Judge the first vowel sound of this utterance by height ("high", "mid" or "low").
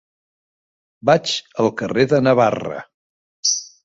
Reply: low